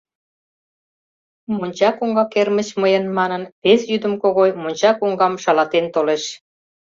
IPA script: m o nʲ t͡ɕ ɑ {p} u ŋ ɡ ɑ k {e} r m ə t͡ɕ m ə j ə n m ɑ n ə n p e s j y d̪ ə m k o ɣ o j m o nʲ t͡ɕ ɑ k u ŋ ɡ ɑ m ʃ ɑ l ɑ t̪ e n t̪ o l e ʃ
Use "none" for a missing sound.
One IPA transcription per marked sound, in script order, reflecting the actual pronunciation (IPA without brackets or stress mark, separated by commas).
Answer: k, e